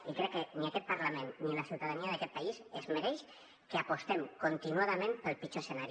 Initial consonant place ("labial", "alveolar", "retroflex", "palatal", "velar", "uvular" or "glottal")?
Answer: velar